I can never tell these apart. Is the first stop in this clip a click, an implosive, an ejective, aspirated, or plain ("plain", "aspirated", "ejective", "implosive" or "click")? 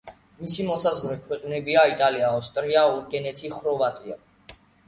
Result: aspirated